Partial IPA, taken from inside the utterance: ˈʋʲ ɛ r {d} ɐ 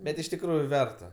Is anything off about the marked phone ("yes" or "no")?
yes